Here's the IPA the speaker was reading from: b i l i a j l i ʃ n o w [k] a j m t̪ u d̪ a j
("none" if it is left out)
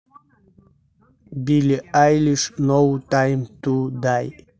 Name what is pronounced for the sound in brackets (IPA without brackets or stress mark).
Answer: t